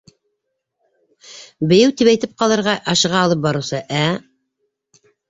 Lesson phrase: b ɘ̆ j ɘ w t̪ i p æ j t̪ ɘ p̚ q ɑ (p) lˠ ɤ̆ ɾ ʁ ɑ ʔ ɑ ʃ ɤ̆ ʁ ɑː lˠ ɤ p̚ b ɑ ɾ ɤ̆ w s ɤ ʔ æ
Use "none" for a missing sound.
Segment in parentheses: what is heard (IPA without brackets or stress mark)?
none